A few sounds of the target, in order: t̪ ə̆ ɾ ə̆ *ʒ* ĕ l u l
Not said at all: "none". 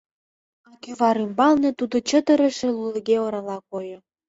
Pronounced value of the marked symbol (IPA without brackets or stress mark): ʃ